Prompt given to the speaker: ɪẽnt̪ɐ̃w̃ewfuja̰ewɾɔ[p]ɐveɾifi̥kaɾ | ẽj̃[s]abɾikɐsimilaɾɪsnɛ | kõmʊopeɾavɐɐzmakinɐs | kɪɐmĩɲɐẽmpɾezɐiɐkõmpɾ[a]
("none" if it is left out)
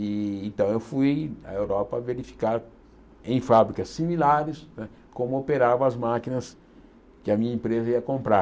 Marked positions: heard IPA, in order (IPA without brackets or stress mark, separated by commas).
p, f, a